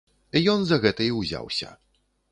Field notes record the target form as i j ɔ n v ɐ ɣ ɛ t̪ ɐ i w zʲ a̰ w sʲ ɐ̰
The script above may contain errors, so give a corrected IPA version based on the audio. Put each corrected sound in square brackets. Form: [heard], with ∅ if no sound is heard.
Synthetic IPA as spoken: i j ɔ n [z] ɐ ɣ ɛ t̪ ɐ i w zʲ a̰ w sʲ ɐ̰